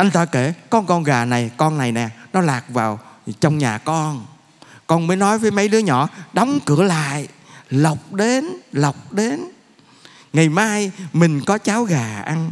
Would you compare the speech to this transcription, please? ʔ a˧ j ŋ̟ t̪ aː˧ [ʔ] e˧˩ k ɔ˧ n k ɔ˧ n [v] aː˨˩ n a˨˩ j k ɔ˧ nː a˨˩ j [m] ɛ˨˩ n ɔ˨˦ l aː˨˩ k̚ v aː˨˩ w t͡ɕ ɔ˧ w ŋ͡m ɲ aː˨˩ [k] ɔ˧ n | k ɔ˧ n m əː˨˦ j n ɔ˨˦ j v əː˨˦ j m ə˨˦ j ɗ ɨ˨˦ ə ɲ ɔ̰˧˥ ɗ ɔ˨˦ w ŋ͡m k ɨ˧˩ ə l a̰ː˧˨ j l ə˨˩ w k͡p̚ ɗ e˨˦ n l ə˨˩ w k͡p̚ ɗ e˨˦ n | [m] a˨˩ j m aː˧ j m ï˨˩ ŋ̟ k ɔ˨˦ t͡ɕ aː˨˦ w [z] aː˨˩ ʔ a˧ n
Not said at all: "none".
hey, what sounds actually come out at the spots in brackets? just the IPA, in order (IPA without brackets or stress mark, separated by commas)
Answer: k, ɣ, n, k, ŋ, ɣ